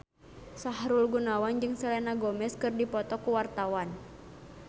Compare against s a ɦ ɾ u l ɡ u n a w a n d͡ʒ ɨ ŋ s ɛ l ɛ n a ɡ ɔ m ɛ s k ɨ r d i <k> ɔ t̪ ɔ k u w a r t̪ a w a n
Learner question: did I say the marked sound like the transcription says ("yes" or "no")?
no